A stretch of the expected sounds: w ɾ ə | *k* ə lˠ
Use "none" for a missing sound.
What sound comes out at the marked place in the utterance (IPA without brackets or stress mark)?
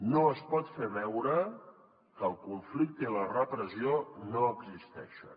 k